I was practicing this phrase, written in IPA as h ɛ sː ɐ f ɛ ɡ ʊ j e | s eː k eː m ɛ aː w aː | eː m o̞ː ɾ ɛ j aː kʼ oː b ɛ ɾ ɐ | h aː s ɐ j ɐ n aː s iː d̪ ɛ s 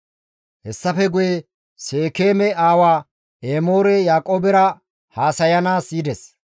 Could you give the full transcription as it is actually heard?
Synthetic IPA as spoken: h ɛ sː ɐ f ɛ ɡ ʊ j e | s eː k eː m ɛ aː w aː | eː m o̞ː ɾ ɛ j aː kʼ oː b ɛ ɾ ɐ | h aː s ɐ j ɐ n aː s iː d̪ ɛ s